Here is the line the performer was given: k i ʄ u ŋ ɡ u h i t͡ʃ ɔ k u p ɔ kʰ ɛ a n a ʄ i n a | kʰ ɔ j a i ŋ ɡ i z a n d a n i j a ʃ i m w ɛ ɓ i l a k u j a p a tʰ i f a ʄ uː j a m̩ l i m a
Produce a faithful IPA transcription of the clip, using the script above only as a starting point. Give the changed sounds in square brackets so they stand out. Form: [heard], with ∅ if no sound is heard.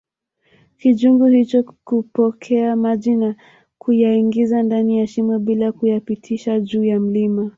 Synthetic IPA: k i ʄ u ŋ ɡ u h i t͡ʃ ɔ k u p ɔ kʰ ɛ a [m] a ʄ i n a | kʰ [u] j a i ŋ ɡ i z a n d a n i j a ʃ i m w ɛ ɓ i l a k u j a p [i] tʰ i [ʃ] a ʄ uː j a m̩ l i m a